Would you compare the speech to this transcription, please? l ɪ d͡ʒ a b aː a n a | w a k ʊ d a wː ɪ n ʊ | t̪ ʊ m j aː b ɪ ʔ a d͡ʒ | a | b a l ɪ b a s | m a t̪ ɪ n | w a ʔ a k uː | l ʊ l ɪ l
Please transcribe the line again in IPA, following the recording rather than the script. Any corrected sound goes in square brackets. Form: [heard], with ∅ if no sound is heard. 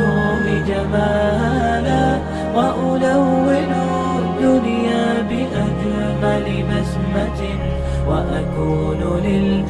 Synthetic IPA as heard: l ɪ d͡ʒ a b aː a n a | w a [ʔ] ʊ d a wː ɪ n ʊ | [d̪] ʊ [n] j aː b ɪ ʔ a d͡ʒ | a | b a l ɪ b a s | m a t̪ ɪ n | w a ʔ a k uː | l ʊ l ɪ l